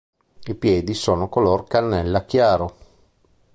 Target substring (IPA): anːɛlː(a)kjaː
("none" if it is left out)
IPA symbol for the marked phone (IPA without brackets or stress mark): a